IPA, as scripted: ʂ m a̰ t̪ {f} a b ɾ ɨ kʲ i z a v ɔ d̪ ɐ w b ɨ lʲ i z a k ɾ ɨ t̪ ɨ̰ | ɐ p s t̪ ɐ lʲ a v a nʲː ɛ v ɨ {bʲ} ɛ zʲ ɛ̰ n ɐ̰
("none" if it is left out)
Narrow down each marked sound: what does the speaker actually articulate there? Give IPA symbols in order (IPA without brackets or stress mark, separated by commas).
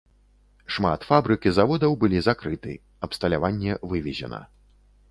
f, vʲ